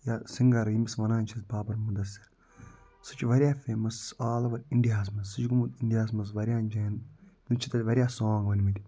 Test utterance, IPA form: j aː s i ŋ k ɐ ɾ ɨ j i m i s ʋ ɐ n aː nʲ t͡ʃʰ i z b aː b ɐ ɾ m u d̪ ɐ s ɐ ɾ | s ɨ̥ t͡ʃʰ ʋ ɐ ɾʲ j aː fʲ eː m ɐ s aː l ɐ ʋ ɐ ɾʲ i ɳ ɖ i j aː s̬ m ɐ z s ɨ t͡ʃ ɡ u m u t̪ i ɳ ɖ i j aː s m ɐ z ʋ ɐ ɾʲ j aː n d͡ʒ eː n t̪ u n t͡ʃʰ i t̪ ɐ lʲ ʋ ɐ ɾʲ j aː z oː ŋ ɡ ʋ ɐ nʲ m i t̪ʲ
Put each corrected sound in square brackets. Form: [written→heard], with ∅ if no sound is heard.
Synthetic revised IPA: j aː s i ŋ [k→ɡ] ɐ ɾ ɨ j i m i s ʋ ɐ n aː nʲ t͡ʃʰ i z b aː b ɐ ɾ m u d̪ ɐ s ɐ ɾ | s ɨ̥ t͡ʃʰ ʋ ɐ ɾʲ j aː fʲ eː m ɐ s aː l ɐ ʋ ɐ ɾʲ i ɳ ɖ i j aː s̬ m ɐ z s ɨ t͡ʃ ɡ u m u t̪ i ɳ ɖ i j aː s m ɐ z ʋ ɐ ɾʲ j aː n d͡ʒ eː n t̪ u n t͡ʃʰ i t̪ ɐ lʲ ʋ ɐ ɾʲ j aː [z→s] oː ŋ ɡ ʋ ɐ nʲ m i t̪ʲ